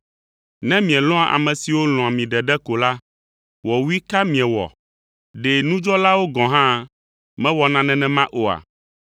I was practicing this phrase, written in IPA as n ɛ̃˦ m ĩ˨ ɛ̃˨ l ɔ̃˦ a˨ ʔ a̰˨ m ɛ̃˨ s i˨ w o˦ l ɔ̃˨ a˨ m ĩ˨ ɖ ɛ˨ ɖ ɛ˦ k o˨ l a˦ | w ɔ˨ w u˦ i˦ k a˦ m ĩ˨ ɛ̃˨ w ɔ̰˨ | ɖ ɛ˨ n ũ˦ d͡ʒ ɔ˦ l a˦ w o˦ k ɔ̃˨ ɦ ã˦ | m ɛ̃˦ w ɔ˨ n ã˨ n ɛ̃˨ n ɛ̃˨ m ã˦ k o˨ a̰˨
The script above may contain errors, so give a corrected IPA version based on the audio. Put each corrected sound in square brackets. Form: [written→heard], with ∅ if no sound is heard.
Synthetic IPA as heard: n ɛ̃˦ m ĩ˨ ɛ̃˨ l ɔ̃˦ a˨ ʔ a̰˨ m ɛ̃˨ s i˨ w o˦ l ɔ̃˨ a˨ m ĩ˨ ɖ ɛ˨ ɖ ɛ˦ k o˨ l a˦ | w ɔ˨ w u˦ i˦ k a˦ m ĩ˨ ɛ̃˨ w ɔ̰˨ | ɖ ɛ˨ n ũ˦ d͡ʒ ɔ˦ l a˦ w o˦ [k→ɡ] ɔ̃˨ ɦ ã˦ | m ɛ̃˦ w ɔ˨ n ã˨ n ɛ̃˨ n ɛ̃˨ m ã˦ [k→ʔ] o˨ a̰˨

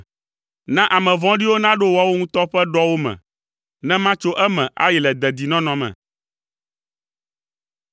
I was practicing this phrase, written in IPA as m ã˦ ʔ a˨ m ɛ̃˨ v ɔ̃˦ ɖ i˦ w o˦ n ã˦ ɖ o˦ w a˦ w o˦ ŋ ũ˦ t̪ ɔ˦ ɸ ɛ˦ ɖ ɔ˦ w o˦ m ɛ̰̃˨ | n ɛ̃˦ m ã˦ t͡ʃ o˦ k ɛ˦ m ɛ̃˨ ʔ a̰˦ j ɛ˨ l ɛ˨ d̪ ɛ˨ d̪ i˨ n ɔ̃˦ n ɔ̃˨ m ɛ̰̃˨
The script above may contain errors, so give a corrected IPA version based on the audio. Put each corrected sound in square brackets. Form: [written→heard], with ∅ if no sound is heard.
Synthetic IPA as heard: [m→n] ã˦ ʔ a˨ m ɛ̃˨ v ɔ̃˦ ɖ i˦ w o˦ n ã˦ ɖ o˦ w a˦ w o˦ ŋ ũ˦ t̪ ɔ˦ ɸ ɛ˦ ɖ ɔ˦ w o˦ m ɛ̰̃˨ | n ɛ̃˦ m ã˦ t͡ʃ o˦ [k→ʔ] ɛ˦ m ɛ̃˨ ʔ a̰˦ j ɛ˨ l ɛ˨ d̪ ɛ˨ d̪ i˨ n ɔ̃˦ n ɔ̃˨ m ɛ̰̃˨

